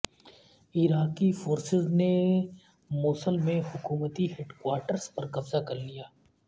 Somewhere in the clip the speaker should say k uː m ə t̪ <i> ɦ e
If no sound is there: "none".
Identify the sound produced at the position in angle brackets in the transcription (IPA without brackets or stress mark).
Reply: i